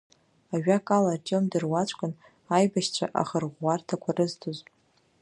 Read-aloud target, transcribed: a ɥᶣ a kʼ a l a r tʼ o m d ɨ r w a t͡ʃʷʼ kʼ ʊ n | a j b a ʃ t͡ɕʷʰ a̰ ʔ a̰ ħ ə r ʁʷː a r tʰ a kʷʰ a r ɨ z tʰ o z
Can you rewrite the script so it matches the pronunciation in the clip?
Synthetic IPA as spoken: a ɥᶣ a kʼ a l a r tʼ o m d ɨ r w a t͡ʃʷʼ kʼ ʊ n | a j b a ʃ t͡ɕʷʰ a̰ ʔ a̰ χ ə r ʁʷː a r tʰ a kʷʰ a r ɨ z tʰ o z